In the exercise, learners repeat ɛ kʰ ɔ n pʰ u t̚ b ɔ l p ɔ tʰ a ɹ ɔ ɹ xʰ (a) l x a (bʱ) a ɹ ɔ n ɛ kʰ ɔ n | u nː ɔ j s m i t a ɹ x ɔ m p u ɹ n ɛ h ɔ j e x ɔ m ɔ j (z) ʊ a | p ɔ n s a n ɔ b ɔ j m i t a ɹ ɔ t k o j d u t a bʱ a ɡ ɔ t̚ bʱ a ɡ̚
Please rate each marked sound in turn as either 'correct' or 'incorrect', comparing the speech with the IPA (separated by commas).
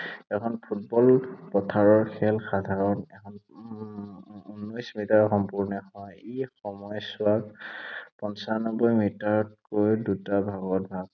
incorrect, incorrect, incorrect